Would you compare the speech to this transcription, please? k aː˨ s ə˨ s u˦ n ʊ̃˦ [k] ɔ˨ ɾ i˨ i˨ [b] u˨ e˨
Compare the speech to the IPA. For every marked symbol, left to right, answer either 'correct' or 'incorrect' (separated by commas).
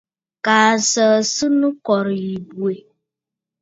correct, correct